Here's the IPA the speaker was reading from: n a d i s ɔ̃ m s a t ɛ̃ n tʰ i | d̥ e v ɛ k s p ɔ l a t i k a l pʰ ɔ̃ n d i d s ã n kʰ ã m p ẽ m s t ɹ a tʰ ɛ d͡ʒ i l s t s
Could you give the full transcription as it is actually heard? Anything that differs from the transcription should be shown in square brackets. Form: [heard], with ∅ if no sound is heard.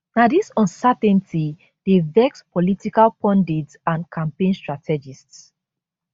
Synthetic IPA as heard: n a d i s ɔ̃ [n] s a t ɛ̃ n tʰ i | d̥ e v ɛ k s p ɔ l [i] t i k a l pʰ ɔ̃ n d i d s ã n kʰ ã m p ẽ [n] s t ɹ a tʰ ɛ d͡ʒ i [∅] s t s